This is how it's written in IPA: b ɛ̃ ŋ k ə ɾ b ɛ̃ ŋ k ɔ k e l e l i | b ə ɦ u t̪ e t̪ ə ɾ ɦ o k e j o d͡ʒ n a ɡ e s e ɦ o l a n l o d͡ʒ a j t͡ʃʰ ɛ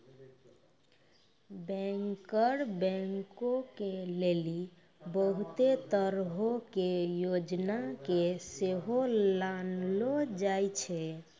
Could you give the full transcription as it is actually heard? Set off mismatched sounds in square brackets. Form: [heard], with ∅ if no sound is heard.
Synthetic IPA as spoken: b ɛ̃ ŋ k ə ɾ b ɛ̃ ŋ k [o] k e l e l i | b ə ɦ u t̪ e t̪ ə ɾ ɦ o k e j o d͡ʒ n a [k] e s e ɦ o l a n l o d͡ʒ a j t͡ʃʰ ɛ